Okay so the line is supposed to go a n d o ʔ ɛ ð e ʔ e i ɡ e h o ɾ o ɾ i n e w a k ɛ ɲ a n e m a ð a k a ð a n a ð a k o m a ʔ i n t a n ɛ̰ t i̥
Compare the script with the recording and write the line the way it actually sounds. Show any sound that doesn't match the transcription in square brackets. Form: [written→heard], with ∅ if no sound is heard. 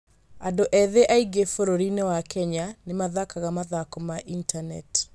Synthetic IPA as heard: a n d o ʔ ɛ ð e ʔ [e→a] i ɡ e [h→f] o ɾ o ɾ i n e w a k ɛ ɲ a n e m a ð a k a [ð→ɣ] a [n→m] a ð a k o m a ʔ i n t a n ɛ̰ t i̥